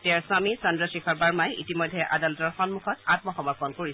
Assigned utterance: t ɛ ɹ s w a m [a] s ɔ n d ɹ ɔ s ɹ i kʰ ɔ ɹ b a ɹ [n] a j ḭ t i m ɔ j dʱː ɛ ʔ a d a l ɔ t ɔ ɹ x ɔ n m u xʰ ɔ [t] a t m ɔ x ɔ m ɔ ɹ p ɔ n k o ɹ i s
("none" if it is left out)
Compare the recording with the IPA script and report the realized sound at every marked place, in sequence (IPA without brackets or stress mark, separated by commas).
i, m, t